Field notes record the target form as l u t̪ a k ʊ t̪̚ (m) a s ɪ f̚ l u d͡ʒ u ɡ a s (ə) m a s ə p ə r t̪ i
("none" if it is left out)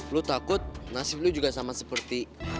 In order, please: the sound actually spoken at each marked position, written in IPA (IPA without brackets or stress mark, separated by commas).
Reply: n, a